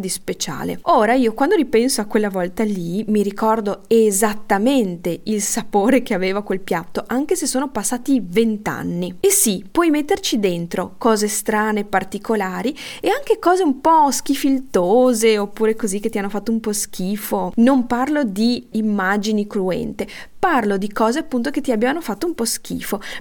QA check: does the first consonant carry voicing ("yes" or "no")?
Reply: yes